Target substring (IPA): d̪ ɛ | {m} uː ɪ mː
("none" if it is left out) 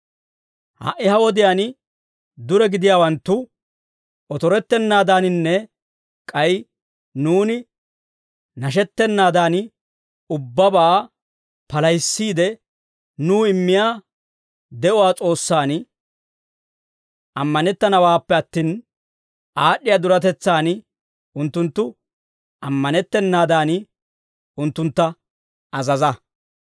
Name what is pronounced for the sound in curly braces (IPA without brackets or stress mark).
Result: n